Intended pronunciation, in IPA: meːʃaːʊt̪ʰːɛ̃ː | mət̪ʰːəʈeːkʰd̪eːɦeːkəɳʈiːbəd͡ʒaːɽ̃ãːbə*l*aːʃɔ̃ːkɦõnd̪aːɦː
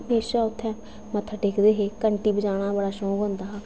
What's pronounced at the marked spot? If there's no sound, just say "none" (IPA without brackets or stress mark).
ɽ